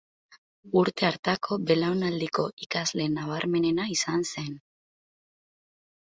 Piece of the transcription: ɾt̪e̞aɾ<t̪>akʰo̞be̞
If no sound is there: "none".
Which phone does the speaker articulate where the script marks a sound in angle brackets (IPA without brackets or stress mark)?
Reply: t̪